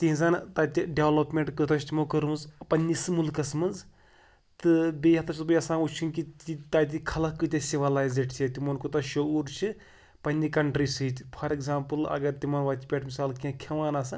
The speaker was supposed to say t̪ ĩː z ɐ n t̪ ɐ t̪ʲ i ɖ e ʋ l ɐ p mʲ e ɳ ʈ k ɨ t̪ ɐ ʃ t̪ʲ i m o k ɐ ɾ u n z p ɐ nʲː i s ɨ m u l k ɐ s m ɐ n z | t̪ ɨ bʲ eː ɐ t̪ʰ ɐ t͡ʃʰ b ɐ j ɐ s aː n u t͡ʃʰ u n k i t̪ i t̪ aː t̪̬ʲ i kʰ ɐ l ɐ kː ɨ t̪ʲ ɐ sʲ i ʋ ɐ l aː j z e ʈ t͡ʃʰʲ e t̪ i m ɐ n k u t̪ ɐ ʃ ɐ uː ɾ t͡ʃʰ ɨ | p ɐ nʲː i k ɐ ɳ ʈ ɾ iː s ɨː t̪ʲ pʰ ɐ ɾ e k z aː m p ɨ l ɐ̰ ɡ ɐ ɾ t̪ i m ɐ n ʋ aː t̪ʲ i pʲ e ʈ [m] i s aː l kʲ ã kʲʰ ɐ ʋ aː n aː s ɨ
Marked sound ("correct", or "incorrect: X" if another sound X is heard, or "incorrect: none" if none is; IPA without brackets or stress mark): correct